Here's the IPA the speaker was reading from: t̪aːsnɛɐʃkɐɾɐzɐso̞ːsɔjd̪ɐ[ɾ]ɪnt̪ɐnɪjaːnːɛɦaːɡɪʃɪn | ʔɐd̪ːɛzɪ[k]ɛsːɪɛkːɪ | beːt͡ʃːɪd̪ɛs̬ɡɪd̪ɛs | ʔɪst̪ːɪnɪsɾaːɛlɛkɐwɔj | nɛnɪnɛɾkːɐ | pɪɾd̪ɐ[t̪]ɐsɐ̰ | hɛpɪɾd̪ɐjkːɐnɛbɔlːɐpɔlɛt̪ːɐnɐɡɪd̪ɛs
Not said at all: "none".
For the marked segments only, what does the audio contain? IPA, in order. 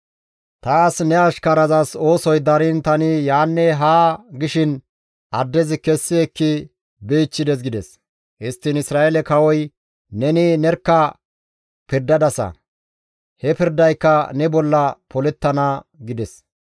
ɾ, k, d̪

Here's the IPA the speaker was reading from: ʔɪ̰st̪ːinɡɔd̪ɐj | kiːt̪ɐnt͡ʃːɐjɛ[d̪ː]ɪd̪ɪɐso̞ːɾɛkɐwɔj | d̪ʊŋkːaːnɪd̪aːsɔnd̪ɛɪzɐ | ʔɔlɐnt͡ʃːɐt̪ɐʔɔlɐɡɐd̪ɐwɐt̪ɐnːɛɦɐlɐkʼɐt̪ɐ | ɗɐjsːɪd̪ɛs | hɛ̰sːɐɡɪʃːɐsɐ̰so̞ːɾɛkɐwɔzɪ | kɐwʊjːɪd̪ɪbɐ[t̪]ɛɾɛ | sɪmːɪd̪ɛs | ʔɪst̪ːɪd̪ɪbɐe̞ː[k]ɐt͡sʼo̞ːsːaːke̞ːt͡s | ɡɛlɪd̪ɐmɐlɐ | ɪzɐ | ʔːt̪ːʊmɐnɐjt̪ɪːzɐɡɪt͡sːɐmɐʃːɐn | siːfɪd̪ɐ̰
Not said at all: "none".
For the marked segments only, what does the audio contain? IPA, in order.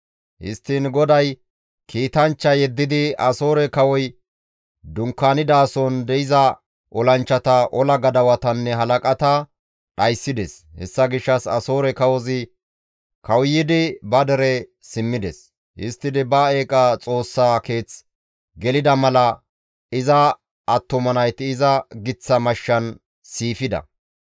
d̪ː, d̪, kʼ

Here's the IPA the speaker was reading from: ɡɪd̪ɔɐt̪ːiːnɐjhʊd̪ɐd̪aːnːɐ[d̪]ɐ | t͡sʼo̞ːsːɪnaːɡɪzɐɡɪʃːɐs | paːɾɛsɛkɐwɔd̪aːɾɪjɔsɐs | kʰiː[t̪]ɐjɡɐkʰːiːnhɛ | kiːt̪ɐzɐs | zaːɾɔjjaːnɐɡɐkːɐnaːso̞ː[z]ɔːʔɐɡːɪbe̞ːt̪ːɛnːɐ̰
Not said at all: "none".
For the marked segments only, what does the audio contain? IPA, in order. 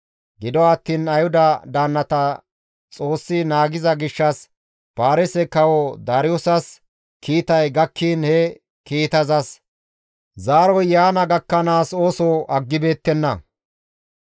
t̪, t̪, s

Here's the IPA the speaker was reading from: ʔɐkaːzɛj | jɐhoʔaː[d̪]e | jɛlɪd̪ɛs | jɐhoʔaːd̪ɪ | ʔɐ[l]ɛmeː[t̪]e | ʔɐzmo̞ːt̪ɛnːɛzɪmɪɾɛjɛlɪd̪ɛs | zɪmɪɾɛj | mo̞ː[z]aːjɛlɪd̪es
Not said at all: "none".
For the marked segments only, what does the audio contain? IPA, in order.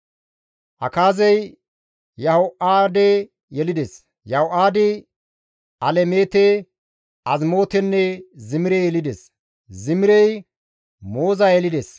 d̪, l, t̪, z

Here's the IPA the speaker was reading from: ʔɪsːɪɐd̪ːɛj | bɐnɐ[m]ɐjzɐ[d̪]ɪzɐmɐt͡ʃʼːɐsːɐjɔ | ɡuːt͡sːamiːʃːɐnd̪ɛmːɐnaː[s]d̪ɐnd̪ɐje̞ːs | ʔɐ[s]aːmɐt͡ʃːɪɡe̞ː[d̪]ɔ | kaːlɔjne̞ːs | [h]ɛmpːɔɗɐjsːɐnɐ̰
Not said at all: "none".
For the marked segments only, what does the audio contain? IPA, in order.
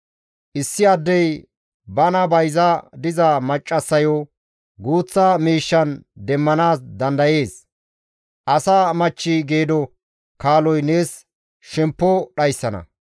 b, d̪, s, s, d̪, ʃ

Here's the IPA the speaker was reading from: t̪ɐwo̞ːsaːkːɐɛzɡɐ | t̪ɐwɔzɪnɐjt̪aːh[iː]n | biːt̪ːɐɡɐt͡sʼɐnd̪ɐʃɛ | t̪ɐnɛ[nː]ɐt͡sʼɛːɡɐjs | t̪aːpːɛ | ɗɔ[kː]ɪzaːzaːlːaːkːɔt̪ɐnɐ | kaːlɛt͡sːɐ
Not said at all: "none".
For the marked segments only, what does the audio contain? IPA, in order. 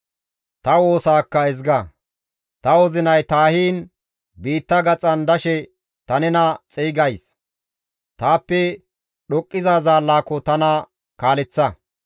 iː, n, kʼː

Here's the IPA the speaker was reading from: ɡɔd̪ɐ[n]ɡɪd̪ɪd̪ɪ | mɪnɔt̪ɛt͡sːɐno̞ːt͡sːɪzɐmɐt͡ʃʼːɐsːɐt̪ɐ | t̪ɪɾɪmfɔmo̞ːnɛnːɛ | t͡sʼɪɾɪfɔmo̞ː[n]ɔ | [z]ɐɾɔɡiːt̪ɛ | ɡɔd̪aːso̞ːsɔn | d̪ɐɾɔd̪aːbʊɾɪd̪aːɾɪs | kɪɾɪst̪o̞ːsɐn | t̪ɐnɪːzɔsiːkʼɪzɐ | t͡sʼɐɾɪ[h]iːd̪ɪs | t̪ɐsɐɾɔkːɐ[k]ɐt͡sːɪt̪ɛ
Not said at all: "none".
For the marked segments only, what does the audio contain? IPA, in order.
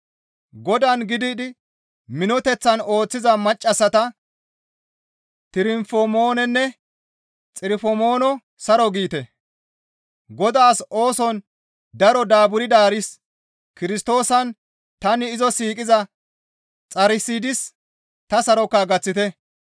n, n, s, s, ɡ

